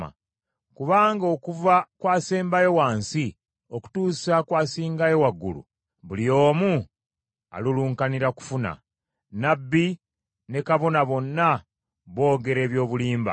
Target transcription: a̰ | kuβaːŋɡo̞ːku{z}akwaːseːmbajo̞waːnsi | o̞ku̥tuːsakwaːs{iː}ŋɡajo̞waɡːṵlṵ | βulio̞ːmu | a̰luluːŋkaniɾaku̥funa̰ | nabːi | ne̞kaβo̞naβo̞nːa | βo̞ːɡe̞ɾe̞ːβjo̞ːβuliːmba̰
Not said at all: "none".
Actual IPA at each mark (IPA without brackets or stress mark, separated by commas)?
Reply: v, iː